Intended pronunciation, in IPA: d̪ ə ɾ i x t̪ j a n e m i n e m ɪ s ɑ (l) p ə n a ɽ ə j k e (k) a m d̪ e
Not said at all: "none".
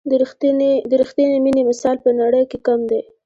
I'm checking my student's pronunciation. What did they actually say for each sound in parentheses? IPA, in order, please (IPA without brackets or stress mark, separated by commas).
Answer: l, k